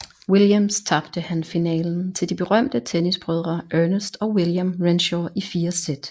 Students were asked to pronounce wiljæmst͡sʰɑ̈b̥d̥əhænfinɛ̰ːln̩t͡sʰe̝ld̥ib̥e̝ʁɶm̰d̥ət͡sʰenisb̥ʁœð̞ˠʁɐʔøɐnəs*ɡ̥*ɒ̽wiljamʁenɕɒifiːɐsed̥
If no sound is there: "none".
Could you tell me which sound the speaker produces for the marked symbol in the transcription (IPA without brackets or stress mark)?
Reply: d̥